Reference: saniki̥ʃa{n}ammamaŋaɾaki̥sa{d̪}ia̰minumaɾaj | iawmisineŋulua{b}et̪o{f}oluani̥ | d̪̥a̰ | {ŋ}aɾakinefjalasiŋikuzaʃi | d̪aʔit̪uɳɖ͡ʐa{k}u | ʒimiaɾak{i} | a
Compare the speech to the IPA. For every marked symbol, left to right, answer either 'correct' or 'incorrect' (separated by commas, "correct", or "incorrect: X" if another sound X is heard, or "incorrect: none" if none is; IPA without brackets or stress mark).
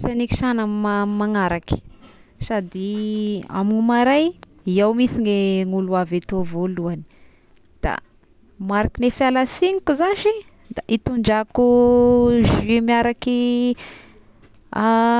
correct, correct, incorrect: v, incorrect: v, incorrect: m, correct, correct